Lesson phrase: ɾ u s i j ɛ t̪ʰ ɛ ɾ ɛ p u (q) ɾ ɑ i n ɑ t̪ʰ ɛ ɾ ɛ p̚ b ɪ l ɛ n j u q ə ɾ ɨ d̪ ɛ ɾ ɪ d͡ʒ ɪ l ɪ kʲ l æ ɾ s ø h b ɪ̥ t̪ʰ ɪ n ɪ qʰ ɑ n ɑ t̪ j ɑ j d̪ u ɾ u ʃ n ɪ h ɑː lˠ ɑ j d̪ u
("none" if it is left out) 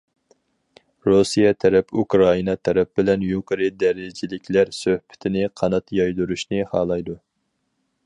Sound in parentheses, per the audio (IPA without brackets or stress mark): k